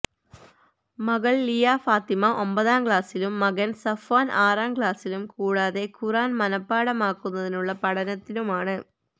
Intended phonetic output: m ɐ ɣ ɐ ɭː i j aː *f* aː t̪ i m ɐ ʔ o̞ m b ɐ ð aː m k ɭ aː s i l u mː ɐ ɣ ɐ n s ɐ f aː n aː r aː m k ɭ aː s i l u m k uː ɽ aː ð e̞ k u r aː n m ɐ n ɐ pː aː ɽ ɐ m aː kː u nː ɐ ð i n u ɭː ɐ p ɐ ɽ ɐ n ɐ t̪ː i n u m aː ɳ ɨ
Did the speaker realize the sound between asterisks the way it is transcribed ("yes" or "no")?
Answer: yes